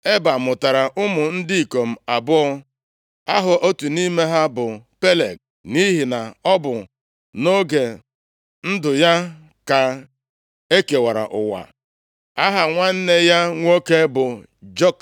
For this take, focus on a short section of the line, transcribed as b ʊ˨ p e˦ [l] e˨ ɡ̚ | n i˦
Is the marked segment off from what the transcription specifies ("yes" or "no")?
no